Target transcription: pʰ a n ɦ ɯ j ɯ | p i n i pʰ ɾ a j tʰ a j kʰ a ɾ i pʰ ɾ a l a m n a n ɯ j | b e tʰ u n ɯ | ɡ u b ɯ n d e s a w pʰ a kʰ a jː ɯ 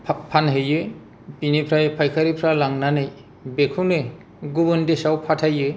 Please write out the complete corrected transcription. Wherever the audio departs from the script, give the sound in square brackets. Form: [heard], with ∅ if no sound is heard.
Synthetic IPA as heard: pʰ a n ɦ ɯ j ɯ | p i n i pʰ ɾ a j [pʰ] a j kʰ a ɾ i pʰ ɾ a l a [ŋ] n a n ɯ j | b e [kʰ] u n ɯ | ɡ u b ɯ n d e s a w pʰ a [tʰ] a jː ɯ